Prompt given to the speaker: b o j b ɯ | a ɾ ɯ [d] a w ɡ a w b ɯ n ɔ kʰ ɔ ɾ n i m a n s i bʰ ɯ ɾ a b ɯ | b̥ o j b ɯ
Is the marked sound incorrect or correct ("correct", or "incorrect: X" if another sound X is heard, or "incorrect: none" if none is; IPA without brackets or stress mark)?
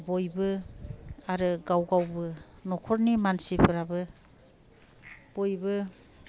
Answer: incorrect: ɡ